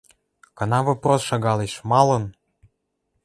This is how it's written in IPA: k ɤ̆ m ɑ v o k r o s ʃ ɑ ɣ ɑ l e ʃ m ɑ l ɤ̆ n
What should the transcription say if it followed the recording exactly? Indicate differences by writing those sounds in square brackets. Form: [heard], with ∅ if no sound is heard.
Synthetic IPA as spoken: k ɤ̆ [n] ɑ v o [p] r o s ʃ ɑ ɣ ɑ l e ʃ m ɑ l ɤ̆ n

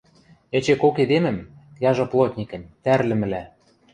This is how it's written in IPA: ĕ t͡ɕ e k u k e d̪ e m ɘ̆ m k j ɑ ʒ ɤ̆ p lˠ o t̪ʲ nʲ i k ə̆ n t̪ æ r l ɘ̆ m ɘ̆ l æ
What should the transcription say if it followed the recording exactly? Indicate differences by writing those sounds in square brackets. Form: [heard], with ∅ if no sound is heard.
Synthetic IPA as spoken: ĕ t͡ɕ e k [o] k e d̪ e m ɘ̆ m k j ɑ ʒ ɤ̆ p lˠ o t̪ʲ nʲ i k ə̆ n t̪ æ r l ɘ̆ m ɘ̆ l æ

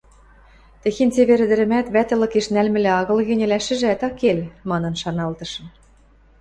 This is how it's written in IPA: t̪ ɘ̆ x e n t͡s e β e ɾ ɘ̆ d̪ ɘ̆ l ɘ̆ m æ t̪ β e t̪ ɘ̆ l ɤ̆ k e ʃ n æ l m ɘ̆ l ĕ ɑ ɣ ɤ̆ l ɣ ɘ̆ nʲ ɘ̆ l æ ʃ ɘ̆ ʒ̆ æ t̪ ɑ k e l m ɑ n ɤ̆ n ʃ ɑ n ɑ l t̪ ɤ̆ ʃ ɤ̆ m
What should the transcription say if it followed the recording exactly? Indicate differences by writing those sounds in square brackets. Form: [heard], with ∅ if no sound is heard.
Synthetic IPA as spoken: t̪ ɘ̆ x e n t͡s e β e ɾ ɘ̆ d̪ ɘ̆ [ɾ] ɘ̆ m æ t̪ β [æ] t̪ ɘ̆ l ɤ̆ k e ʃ n æ l m ɘ̆ l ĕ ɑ ɣ ɤ̆ l ɣ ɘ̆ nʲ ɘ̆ l æ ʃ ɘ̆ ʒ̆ æ t̪ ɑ k e l m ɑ n ɤ̆ n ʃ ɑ n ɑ l t̪ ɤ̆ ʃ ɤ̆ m

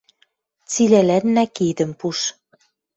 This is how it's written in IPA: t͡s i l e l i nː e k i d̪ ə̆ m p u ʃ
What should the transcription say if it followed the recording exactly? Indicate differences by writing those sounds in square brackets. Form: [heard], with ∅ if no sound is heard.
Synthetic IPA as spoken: t͡s i l [æ] l [æ] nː [æ] k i d̪ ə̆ m p u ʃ

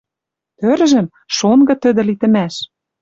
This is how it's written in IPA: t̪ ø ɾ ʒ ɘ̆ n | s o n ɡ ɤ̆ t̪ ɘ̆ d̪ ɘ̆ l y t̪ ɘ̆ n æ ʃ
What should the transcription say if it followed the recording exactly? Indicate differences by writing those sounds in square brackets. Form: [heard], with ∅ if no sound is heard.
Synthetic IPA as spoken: t̪ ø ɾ ʒ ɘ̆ [m] | [ʃ] o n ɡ ɤ̆ t̪ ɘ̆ d̪ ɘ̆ l [i] t̪ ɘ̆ [m] æ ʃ

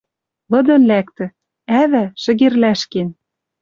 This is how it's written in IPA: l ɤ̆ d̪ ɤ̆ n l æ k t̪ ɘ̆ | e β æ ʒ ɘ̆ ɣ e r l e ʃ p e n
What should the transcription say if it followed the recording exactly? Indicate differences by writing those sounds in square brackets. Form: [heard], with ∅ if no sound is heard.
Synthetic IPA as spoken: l ɤ̆ d̪ ɤ̆ n l æ k t̪ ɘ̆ | [æ] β æ [ʃ] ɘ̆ ɣ e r l [æ] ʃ [k] e n

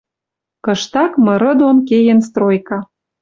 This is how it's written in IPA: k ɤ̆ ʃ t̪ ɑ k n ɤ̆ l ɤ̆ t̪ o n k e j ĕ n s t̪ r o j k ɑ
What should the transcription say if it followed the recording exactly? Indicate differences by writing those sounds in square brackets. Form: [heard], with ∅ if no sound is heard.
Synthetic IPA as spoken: k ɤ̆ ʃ t̪ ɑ k [m] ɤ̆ [ɾ] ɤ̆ [d̪] o n k e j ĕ n s t̪ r o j k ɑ

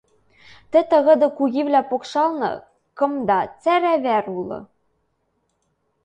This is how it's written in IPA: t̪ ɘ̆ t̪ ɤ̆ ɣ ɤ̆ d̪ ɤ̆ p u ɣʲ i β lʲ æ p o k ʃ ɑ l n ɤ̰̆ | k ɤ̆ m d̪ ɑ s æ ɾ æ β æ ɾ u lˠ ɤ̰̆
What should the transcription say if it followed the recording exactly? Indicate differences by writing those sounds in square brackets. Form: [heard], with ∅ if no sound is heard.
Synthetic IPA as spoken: t̪ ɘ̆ t̪ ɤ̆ ɣ ɤ̆ d̪ ɤ̆ [k] u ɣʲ i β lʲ æ p o k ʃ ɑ l n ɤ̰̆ | k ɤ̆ m d̪ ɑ [t͡s] æ ɾ æ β æ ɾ u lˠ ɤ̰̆

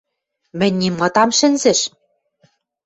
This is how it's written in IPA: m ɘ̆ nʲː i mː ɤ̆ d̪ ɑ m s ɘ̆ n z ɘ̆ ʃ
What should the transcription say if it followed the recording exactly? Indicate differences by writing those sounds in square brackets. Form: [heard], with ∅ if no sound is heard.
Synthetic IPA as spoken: m ɘ̆ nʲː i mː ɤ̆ [t̪] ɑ m [ʃ] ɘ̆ n z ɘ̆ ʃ

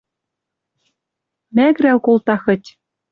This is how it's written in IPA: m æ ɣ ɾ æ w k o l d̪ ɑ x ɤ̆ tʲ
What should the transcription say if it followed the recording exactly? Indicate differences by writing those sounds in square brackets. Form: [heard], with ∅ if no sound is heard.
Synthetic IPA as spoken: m æ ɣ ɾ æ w k o l [t̪] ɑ x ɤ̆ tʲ

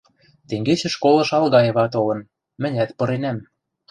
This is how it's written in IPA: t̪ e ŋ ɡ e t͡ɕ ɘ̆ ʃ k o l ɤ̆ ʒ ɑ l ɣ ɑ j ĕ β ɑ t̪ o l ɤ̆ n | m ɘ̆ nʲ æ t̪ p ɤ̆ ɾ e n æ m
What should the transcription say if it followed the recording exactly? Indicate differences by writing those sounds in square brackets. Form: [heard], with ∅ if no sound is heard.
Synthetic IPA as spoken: t̪ e ŋ ɡ e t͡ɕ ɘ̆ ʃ k o l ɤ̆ [ʃ] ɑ l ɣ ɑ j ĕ β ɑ t̪ o l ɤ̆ n | m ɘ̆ nʲ æ t̪ p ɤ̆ ɾ e n æ m

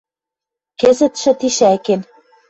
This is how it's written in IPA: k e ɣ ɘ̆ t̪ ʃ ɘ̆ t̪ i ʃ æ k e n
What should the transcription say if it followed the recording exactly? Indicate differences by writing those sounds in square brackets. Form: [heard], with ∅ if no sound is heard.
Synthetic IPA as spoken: k e [z] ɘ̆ t̪ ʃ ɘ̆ t̪ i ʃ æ k e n

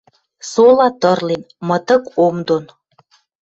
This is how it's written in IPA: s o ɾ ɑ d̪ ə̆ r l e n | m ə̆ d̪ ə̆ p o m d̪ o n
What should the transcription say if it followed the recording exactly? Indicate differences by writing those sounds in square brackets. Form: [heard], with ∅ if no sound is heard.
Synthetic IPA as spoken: s o [l] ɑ [t̪] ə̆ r l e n | m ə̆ [t̪] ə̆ [k] o m d̪ o n

